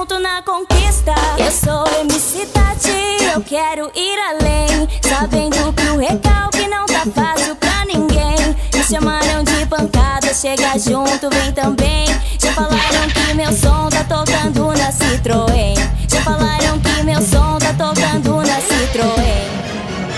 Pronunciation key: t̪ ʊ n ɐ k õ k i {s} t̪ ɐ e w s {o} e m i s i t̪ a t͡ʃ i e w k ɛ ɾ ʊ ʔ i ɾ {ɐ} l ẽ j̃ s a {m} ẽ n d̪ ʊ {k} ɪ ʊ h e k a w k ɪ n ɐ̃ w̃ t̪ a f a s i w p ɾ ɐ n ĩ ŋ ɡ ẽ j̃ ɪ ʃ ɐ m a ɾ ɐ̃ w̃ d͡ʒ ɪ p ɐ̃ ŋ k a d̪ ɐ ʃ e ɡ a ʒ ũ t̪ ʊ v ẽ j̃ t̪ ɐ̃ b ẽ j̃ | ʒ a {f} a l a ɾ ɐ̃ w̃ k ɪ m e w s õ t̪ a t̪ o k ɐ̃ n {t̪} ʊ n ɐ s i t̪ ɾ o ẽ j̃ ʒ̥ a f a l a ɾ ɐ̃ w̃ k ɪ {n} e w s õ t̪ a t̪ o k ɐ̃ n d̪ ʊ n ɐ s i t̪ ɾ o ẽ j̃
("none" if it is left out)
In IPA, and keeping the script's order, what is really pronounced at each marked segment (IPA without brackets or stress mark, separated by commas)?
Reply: s, o, a, b, k, f, d̪, m